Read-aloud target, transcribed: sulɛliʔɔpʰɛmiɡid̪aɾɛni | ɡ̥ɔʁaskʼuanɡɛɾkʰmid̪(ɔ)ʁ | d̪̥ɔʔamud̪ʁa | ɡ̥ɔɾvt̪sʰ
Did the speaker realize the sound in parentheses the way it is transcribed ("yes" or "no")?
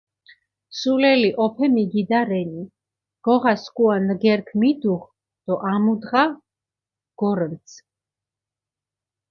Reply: no